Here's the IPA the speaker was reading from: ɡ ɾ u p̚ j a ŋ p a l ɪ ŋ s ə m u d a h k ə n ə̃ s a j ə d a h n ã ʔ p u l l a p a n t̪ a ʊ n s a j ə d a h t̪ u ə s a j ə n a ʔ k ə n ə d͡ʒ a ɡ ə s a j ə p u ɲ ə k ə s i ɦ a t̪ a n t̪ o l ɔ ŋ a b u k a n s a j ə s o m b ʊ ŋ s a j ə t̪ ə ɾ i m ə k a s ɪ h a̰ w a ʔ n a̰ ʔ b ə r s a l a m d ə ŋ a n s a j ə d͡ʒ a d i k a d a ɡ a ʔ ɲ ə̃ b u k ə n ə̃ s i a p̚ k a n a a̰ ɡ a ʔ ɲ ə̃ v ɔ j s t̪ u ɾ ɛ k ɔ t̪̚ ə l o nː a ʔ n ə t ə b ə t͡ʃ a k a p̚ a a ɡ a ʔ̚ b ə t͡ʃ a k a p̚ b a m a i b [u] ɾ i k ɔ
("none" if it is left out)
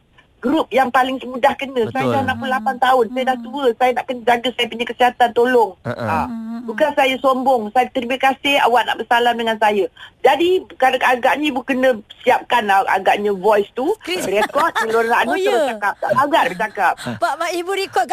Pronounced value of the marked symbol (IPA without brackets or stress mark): u